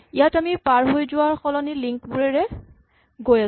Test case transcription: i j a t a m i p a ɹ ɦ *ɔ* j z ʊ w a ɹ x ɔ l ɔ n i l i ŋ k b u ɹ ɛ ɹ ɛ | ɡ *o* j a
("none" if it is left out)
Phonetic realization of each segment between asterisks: o, o

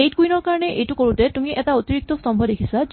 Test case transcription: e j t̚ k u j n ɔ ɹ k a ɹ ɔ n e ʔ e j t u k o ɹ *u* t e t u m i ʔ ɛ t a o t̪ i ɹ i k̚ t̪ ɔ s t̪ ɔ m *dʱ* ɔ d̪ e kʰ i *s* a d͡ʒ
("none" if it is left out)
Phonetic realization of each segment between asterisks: u, bʱ, s

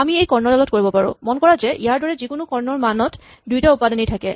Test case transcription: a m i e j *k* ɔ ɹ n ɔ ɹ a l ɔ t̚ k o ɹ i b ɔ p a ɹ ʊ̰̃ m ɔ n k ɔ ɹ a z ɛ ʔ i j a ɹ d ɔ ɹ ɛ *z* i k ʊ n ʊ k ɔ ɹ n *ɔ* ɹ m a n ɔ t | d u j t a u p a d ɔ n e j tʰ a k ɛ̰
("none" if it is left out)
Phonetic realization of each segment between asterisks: k, z, ɔ

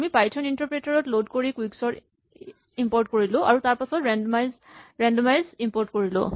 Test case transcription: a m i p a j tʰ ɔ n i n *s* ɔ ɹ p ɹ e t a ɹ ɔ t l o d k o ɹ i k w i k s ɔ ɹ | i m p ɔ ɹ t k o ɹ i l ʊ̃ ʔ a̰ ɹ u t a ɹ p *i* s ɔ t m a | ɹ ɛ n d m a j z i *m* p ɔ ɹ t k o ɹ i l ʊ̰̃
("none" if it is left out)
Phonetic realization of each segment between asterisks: t, a, m

